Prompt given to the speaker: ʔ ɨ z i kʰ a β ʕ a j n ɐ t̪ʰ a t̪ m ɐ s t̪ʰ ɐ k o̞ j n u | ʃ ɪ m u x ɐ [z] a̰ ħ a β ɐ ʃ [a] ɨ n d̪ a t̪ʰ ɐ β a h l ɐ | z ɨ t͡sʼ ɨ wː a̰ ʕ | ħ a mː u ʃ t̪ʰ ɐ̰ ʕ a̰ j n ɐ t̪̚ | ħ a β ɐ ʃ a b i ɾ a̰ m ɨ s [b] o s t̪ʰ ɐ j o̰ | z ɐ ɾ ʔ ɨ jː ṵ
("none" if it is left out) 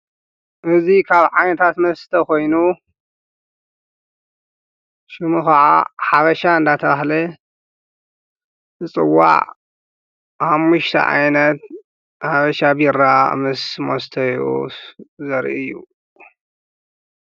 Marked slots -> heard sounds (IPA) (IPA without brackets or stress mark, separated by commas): ʕ, a, m